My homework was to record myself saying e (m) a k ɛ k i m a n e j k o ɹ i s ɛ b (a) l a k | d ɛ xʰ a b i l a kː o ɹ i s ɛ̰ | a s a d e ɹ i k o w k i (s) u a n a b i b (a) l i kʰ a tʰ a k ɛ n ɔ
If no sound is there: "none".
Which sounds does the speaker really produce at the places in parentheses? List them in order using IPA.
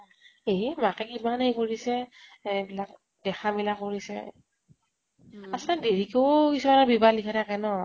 m, i, s, a

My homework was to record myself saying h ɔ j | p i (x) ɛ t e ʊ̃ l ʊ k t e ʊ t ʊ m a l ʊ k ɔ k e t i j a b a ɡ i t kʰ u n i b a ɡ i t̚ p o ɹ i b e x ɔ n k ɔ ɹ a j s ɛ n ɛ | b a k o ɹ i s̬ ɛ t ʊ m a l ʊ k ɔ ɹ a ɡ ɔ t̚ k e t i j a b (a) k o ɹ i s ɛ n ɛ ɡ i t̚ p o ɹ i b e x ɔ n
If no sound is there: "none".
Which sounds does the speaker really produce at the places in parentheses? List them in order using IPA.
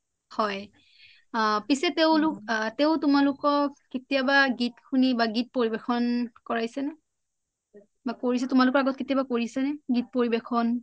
s, a

